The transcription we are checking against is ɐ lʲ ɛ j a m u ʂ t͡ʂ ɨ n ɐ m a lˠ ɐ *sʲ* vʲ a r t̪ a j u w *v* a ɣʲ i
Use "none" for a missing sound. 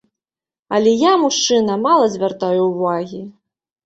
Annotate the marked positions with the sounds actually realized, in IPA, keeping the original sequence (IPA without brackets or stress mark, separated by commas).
zʲ, v